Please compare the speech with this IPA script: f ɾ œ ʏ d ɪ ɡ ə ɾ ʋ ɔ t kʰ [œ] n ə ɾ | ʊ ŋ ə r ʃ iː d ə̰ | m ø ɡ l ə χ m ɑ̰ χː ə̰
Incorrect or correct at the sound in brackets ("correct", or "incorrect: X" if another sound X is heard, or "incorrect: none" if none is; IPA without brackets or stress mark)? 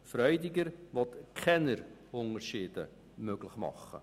incorrect: ɛ